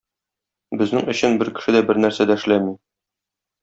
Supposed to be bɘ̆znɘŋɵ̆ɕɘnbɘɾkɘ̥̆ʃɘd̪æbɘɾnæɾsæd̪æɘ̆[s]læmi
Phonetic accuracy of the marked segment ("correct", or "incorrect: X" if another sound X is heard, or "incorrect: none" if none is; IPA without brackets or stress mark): incorrect: ʃ